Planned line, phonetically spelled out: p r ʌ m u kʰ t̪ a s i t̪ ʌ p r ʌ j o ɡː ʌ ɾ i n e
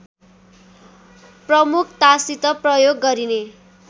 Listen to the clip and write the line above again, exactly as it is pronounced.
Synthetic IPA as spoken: p r ʌ m u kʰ t̪ a s i t̪ ʌ p r ʌ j o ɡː ʌ ɾ i n e